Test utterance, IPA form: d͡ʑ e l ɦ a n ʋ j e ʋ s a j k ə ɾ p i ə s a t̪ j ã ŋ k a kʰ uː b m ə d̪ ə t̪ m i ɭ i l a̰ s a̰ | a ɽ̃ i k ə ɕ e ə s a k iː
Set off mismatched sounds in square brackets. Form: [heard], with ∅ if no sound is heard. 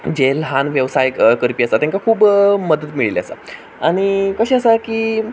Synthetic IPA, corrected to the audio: d͡ʑ e l ɦ a n ʋ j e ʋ s a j k ə ɾ p i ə s a t̪ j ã ŋ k a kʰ uː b m ə d̪ ə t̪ m i ɭ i l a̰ s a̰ | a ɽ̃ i k ə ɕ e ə s a k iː